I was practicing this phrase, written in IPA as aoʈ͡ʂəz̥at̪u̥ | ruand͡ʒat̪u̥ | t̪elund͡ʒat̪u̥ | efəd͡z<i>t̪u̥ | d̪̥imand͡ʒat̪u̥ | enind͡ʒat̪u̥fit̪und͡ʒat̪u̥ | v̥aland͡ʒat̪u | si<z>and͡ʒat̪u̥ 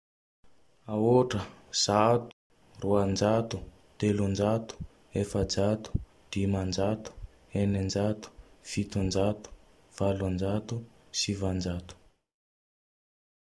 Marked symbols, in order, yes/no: no, no

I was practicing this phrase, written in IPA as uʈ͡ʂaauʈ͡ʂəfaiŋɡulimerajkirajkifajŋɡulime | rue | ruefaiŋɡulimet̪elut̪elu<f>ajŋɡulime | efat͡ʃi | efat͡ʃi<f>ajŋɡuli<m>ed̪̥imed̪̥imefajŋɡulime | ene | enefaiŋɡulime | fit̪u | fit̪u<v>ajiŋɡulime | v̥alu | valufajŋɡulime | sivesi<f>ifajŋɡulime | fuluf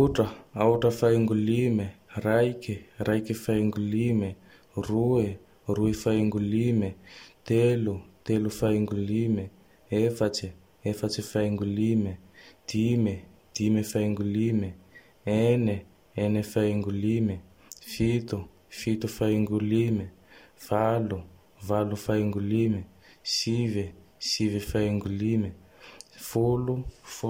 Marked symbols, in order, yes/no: yes, yes, yes, no, no

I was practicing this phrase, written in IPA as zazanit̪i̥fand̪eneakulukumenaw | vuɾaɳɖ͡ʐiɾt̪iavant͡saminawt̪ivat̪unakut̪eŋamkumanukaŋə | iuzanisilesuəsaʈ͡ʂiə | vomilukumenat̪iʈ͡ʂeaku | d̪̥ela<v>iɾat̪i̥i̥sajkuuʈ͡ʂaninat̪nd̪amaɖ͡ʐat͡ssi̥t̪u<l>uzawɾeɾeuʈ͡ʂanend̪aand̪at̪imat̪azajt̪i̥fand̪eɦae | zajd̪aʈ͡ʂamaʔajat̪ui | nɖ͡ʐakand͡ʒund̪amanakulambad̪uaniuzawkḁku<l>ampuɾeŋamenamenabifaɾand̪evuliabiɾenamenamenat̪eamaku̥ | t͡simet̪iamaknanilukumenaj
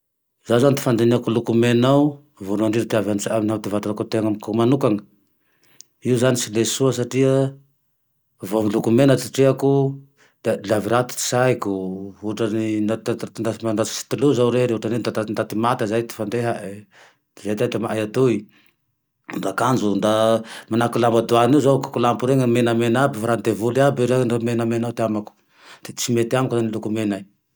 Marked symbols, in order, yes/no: yes, yes, yes

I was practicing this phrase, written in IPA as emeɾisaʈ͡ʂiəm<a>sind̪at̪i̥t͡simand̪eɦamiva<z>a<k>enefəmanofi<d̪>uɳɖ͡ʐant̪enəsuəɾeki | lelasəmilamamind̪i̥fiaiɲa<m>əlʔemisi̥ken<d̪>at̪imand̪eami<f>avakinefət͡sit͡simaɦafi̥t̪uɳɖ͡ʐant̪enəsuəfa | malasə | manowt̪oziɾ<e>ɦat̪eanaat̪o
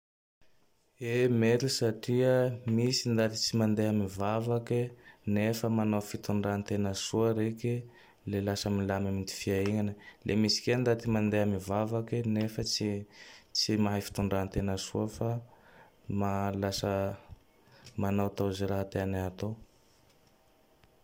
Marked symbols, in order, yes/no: no, no, yes, no, no, yes, no, no

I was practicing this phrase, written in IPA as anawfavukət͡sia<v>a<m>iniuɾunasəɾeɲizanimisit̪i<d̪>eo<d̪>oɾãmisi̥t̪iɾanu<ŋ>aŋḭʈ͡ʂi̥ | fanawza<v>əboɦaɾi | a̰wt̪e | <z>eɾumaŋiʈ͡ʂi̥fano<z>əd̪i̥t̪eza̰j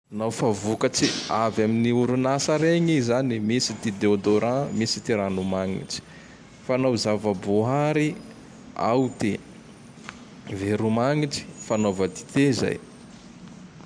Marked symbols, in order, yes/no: yes, yes, yes, yes, no, yes, no, no

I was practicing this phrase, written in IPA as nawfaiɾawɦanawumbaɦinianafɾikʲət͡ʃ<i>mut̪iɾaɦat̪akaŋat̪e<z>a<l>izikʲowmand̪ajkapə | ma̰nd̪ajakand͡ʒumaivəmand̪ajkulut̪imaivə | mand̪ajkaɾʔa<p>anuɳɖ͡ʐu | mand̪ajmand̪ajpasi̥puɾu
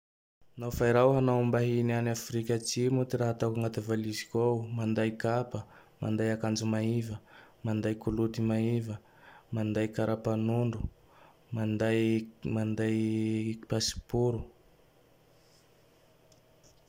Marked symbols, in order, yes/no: yes, no, yes, yes

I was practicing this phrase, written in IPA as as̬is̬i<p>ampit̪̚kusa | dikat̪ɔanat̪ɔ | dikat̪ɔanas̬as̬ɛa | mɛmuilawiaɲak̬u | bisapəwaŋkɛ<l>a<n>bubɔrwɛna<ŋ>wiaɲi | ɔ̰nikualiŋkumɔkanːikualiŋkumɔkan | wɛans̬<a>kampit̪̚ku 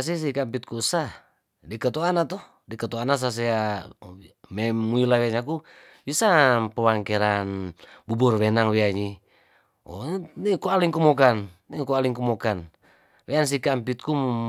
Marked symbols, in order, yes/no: no, no, yes, yes, no

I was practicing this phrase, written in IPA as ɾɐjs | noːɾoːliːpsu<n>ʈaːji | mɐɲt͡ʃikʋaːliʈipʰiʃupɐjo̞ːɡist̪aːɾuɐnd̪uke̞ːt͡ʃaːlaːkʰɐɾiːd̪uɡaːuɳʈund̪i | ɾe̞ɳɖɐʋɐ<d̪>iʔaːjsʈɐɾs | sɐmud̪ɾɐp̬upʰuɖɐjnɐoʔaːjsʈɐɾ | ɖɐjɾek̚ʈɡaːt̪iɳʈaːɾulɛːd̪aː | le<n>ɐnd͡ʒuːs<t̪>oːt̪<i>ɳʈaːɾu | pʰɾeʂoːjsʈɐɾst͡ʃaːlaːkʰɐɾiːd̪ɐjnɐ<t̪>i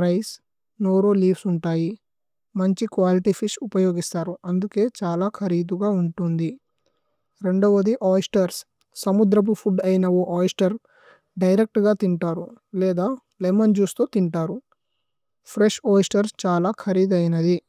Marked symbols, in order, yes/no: no, yes, no, yes, yes, no

